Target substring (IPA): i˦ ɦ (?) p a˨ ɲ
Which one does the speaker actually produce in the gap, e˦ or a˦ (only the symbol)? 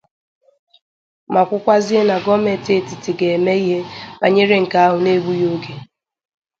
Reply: e˦